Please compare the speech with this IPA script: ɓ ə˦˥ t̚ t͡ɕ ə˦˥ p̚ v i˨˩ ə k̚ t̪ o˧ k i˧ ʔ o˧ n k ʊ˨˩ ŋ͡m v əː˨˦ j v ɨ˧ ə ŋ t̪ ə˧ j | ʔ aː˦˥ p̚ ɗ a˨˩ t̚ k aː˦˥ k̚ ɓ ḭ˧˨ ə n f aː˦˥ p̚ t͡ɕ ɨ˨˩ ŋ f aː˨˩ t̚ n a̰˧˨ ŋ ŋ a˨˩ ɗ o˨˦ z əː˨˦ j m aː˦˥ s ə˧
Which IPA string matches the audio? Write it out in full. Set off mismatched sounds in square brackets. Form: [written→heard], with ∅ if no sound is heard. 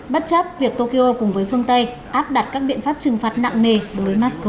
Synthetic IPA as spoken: ɓ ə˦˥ t̚ t͡ɕ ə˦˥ p̚ v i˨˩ ə k̚ t̪ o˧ k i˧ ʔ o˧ [n→∅] k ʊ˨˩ ŋ͡m v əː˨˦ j [v→f] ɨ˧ ə ŋ t̪ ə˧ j | ʔ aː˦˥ p̚ ɗ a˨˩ t̚ k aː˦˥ k̚ ɓ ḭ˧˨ ə n f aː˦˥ p̚ t͡ɕ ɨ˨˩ ŋ f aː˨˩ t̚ n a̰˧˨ ŋ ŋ [a˨˩→e˨˩] ɗ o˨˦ [z→v] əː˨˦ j m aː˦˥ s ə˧